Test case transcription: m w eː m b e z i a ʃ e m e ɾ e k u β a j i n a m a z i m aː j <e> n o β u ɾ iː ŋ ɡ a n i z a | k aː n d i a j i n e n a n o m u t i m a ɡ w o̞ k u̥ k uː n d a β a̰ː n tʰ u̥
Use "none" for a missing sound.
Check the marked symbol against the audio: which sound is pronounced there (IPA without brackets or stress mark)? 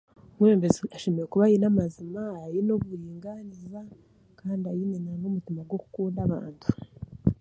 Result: i